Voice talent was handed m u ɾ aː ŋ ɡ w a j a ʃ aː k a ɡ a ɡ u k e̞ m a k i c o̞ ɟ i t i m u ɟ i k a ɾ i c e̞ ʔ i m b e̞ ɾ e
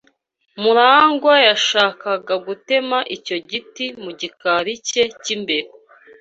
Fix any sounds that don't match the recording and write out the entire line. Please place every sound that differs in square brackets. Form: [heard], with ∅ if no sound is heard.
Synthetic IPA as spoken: m u ɾ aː ŋ ɡ w a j a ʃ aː k a ɡ a ɡ u [t] e̞ m a [ʔ] i c o̞ ɟ i t i m u ɟ i k a ɾ i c e̞ [c] i m b e̞ ɾ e

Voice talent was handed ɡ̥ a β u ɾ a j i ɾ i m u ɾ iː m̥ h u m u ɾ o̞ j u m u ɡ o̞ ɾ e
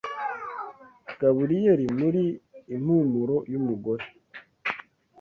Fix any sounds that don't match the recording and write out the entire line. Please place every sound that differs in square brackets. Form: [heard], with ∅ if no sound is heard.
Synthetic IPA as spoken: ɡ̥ a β u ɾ [i] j [e] ɾ i m u ɾ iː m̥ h u m u ɾ o̞ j u m u ɡ o̞ ɾ e

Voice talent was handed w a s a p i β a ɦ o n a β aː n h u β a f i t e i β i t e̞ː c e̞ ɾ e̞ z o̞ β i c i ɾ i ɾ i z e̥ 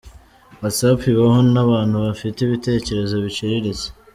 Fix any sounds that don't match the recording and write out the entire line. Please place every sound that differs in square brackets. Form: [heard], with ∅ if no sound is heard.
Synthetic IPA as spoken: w a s a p i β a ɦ o n a β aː n h u β a f i t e i β i t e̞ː c e̞ ɾ e̞ z o̞ β i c i ɾ i ɾ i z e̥

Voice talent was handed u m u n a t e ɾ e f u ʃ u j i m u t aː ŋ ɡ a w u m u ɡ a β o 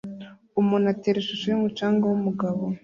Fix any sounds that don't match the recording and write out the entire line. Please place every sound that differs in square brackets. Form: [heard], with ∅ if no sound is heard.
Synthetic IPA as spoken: u m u n a t e ɾ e [ʃ] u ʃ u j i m u [t͡ʃ] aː ŋ ɡ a w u m u ɡ a β o

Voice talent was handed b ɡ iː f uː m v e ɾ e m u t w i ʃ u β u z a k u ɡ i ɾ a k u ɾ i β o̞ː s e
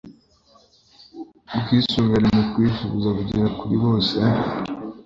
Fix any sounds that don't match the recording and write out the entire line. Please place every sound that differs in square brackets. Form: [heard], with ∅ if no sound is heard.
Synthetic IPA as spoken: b ɡ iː [s] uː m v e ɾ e m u [k] w i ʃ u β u z a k u [ɟ] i ɾ a k u ɾ i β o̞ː s e

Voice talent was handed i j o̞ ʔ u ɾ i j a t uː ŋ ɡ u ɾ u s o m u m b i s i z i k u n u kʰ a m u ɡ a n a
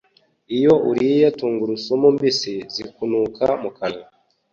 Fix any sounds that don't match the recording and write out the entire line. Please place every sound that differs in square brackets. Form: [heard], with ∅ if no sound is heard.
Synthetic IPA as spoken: i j o̞ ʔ u ɾ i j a t uː ŋ ɡ u ɾ u s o m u m b i s i z i k u n u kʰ a m u [k] a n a

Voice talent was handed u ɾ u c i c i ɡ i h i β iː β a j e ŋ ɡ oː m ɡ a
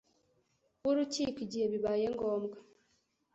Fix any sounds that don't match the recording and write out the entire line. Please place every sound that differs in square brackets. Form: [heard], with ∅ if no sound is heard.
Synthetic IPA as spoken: u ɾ u c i [k] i [ɟ] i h [e] β [i] β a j e ŋ ɡ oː m ɡ a

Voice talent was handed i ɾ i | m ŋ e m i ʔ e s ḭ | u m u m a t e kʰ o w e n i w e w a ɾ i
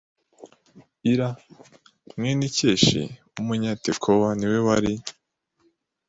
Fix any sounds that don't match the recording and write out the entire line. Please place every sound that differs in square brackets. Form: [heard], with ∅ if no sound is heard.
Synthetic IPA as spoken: i ɾ [a] | m ŋ e [n] i [c] e [ʃ] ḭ | u m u [ɲ] a t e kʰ o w [a] n i w e w a ɾ i

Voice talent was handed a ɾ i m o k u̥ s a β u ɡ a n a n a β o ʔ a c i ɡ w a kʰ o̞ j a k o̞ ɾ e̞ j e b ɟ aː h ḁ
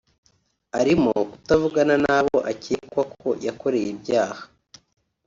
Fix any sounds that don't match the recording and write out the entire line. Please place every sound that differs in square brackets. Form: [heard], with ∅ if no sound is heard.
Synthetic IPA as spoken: a ɾ i m o k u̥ [t] a [v] u ɡ a n a n a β o ʔ a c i [k] w a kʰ o̞ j a k o̞ ɾ e̞ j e b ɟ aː h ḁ

